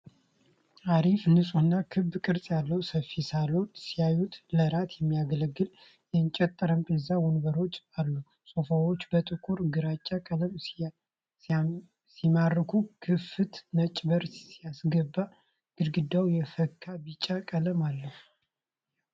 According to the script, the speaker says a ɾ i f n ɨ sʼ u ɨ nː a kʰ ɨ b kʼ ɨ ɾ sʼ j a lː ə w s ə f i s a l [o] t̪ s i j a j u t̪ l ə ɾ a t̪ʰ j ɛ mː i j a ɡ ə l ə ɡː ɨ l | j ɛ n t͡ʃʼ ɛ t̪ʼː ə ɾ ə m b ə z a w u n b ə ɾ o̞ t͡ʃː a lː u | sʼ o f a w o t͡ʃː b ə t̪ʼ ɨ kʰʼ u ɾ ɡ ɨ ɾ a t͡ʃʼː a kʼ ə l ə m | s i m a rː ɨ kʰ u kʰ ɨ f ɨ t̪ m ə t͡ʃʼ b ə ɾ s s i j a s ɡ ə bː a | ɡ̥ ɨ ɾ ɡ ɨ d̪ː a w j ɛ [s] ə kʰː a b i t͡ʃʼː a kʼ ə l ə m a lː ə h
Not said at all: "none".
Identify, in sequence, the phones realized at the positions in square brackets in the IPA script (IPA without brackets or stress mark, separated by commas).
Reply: o, f